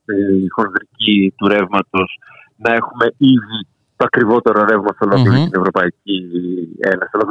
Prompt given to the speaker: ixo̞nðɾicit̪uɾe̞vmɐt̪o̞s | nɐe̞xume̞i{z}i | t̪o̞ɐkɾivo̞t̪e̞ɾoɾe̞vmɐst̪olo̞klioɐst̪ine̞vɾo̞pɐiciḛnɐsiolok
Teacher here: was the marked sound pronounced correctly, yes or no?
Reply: no